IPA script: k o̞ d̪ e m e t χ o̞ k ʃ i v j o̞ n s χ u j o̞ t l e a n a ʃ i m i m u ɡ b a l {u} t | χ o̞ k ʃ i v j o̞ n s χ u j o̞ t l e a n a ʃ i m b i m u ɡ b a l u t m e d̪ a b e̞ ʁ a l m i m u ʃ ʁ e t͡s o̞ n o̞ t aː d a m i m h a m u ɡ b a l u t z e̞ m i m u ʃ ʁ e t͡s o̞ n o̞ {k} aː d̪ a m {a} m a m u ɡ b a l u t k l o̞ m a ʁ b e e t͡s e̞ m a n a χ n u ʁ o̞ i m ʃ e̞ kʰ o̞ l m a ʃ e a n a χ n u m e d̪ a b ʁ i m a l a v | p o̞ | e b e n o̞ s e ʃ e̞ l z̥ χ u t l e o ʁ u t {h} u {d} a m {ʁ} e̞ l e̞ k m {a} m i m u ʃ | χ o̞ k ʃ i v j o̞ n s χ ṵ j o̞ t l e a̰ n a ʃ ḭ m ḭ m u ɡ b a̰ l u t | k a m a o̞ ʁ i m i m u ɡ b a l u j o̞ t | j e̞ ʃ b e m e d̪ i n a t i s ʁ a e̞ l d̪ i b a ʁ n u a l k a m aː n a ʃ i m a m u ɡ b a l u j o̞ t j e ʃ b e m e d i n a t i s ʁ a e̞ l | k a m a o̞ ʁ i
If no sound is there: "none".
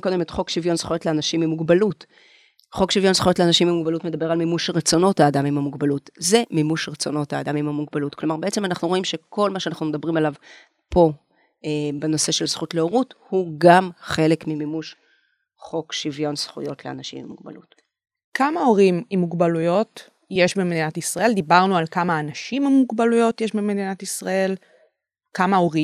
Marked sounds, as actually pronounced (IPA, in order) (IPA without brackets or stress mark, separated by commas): u, t, i, h, ɡ, χ, i